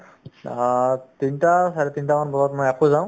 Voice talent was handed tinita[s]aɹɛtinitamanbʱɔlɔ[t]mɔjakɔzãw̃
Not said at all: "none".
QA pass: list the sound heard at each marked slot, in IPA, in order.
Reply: s, t

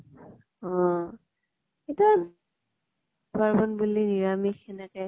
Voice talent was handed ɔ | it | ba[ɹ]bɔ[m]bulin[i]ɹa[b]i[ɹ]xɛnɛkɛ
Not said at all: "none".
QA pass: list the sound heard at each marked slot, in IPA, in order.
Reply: ɹ, n, i, m, none

